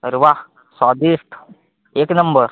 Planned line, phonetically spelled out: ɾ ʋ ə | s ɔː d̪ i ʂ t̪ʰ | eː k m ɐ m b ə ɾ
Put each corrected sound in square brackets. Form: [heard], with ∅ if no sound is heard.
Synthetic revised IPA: ɾ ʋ [a] | s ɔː d̪ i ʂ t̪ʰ | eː k [n] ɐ m b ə ɾ